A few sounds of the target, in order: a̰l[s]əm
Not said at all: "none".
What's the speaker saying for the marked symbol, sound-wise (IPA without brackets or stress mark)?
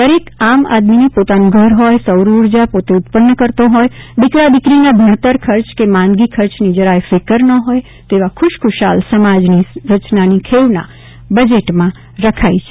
s